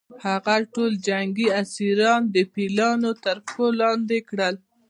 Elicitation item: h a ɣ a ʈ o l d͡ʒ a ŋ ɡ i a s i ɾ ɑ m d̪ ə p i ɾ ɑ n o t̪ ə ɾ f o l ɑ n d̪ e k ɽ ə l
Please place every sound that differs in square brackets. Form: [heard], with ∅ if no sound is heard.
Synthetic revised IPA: h a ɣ a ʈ o l d͡ʒ a ŋ ɡ i a s i ɾ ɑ [n] d̪ ə p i [l] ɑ n o t̪ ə ɾ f o l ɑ n d̪ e k ɽ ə l